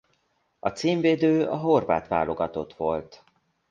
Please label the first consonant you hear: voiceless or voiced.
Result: voiceless